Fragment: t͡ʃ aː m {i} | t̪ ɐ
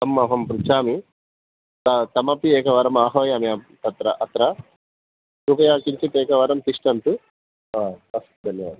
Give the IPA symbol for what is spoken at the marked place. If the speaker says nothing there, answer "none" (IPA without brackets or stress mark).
i